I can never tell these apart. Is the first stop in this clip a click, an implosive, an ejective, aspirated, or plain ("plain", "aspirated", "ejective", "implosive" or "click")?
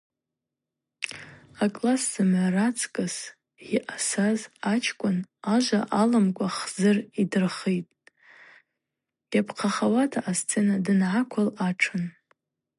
ejective